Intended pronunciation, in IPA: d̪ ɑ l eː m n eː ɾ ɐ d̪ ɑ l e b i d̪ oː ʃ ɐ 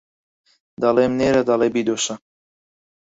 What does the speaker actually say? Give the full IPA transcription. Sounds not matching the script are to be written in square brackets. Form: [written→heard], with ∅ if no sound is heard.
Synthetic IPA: d̪ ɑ l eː m n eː ɾ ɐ d̪ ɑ l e b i d̪ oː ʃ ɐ